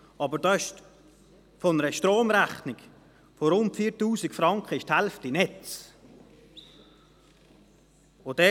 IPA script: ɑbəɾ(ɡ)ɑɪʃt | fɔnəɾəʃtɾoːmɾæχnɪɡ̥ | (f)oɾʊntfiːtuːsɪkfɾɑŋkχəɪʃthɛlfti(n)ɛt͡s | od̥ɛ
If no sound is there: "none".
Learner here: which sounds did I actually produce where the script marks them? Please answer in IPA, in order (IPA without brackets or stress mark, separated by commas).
d, f, n